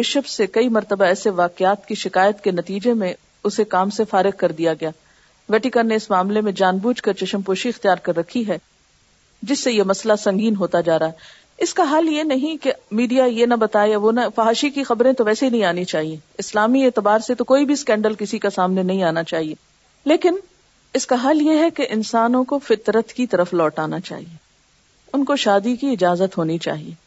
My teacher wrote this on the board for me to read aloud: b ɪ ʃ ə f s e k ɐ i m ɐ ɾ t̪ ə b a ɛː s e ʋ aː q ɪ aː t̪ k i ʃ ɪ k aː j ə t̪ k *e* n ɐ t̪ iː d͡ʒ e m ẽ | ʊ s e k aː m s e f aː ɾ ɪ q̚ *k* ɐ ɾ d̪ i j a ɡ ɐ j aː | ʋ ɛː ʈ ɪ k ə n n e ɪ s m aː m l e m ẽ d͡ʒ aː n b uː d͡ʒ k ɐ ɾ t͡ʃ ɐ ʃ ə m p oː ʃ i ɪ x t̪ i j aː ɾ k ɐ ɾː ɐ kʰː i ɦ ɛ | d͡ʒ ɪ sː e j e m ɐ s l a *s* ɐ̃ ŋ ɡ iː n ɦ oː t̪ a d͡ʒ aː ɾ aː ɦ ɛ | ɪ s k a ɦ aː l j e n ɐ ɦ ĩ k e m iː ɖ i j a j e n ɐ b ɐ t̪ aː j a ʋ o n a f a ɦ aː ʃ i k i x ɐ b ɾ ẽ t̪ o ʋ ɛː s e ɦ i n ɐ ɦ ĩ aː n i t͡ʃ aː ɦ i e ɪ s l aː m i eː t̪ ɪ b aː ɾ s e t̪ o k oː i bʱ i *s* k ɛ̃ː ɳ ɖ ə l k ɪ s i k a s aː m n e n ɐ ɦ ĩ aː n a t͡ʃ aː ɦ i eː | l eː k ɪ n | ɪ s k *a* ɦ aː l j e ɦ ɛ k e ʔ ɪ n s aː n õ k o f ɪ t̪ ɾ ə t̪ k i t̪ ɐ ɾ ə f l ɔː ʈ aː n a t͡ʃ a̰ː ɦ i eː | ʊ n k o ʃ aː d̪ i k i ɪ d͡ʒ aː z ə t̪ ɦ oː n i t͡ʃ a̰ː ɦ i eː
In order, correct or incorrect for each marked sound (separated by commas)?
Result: correct, correct, correct, correct, correct